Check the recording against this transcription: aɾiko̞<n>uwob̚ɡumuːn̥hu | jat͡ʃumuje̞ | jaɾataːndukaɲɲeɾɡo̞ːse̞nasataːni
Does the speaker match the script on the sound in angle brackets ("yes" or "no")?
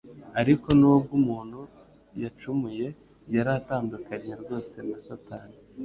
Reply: yes